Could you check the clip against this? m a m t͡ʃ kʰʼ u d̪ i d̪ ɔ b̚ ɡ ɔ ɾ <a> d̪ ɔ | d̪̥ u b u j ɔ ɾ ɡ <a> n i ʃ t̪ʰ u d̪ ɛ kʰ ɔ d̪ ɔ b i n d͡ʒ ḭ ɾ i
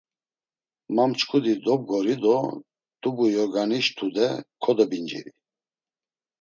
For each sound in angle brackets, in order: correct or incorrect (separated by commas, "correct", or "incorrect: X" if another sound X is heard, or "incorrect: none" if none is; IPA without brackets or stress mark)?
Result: incorrect: i, correct